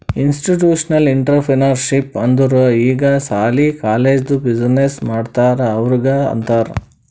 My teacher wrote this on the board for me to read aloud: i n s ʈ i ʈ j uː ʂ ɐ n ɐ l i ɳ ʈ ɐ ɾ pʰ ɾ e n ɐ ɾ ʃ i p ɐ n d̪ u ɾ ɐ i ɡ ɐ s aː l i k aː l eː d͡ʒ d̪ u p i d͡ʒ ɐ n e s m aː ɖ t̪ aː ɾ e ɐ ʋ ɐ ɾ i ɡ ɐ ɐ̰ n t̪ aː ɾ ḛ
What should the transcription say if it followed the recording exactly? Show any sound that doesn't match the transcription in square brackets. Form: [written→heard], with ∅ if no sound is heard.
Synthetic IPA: i n s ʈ i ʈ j uː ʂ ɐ n ɐ l i ɳ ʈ ɐ ɾ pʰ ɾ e n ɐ ɾ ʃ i p ɐ n d̪ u ɾ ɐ [i→iː] ɡ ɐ s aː l i k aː l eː d͡ʒ d̪ u [p→b] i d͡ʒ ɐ n e s m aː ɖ t̪ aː ɾ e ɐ ʋ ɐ ɾ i ɡ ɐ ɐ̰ n t̪ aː ɾ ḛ